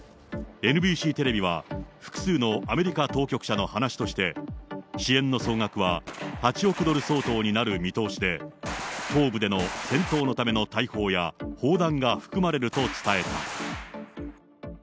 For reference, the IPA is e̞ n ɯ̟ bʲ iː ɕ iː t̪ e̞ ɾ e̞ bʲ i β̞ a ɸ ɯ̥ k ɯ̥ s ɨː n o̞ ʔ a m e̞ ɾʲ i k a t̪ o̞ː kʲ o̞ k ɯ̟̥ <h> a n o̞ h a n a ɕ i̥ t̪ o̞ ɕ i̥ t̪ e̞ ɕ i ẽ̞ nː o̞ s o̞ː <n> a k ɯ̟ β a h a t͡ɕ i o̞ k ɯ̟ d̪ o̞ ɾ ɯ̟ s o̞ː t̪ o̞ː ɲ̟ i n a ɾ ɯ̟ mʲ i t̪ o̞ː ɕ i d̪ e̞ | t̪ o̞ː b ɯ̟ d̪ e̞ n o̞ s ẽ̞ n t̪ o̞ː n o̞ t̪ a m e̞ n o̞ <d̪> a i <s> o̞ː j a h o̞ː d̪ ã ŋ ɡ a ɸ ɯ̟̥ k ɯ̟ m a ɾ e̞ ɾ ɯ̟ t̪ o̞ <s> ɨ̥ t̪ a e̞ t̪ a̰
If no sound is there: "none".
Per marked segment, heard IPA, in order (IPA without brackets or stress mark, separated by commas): ɕ, ŋ, t̪, h, t͡s